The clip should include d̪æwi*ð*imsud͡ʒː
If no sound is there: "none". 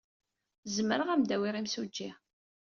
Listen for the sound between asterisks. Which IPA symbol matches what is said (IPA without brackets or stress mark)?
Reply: ʁ